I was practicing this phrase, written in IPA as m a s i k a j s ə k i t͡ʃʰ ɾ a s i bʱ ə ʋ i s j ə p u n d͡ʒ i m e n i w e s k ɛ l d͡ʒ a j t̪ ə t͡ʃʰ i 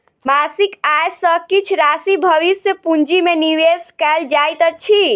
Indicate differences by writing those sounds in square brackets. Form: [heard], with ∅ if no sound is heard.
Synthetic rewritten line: m a s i k a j s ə k i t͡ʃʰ ɾ a s i bʱ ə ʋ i s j ə p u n d͡ʒ i m e n i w e s k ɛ l d͡ʒ a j t̪ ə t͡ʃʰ i